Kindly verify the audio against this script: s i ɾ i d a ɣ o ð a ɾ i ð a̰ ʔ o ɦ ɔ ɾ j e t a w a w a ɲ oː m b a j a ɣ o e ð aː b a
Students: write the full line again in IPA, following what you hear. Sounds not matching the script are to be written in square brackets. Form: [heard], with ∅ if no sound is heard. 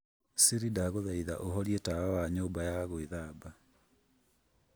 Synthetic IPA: s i ɾ i d a ɣ o ð a [∅] i ð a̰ ʔ o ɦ ɔ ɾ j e t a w a w a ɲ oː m b a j a ɣ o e ð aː b a